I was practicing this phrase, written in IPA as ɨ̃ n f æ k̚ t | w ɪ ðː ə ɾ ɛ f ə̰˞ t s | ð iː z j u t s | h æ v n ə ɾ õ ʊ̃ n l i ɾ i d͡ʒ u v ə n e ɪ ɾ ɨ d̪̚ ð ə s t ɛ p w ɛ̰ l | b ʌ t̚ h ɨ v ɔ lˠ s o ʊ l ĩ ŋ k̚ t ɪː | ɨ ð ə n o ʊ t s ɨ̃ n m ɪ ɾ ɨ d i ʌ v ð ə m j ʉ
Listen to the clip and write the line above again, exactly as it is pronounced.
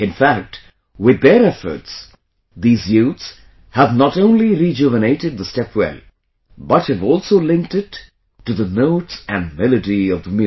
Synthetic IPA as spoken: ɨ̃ n f æ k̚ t | w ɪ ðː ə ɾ ɛ f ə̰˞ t s | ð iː z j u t s | h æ v n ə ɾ õ ʊ̃ n l i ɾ i d͡ʒ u v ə n e ɪ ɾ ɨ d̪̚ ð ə s t ɛ p w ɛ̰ l | b ʌ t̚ h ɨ v ɔ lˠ s o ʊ l ɪ̃ ŋ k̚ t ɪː | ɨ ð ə n o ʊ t s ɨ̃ n m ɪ l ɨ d i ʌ v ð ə m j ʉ